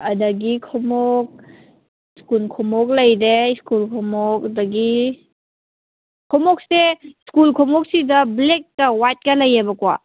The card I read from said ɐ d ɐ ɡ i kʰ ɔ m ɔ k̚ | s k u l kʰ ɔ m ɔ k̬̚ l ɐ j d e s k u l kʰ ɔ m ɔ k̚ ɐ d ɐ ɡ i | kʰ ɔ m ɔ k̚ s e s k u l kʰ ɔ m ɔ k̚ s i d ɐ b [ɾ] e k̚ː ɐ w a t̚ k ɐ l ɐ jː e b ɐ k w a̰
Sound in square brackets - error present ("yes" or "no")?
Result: yes